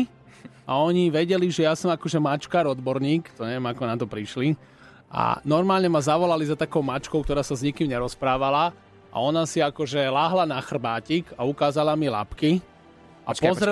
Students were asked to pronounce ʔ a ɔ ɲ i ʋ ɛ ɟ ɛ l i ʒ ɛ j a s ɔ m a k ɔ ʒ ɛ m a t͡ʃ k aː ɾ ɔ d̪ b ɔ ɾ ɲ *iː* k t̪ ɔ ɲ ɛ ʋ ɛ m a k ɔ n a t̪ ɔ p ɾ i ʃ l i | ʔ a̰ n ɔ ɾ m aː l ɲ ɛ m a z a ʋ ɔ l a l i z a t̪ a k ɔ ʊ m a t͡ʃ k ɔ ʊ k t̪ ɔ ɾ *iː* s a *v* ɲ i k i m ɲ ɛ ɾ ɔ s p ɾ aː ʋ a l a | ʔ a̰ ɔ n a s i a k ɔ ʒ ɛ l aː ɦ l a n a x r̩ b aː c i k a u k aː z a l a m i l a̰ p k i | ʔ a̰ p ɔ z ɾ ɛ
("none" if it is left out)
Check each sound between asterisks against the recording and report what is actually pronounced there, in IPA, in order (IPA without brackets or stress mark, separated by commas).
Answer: iː, aː, z